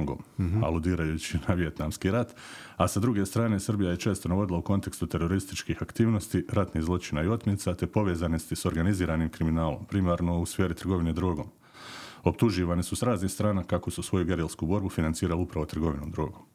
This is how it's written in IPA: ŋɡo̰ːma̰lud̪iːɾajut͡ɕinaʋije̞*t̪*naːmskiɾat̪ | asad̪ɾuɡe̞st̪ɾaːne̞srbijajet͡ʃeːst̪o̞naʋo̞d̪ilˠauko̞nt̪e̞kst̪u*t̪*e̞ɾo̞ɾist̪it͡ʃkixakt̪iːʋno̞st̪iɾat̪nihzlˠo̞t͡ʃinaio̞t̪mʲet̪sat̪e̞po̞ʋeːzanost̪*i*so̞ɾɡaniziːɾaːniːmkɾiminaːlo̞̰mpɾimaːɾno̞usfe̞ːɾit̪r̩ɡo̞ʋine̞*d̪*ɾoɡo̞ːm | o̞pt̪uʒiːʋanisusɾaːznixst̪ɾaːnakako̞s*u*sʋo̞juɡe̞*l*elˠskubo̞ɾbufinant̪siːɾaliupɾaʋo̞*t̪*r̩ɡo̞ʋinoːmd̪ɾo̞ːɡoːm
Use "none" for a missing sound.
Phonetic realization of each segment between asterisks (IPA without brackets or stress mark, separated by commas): t̪, t̪, i, d̪, u, ɾ, t̪